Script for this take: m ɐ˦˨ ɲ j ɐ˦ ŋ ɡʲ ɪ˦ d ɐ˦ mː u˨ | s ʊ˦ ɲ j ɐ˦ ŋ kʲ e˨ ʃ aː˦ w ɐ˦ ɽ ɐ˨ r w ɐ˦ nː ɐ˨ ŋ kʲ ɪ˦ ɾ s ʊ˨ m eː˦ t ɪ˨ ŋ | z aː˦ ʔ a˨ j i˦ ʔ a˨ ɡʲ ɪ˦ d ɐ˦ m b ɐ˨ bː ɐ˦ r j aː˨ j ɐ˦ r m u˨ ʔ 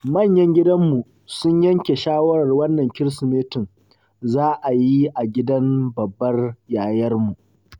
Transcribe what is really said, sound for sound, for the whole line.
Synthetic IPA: m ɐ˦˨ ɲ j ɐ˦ ŋ ɡʲ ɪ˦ d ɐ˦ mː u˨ | s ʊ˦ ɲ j ɐ˦ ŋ kʲ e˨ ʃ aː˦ w ɐ˦ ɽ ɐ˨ r w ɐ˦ nː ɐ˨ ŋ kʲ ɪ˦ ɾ s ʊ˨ m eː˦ t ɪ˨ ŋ | z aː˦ ʔ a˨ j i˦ ʔ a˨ ɡʲ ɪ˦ d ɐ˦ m b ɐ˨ bː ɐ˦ r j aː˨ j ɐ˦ r m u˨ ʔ